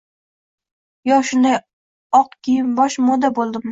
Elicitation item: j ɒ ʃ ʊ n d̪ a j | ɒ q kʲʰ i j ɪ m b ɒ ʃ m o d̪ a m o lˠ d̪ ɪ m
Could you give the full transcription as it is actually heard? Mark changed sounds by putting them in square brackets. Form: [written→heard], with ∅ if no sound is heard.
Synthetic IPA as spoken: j ɒ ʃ ʊ n d̪ a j | ɒ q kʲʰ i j ɪ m b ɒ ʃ m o d̪ a [m→b] o lˠ d̪ ɪ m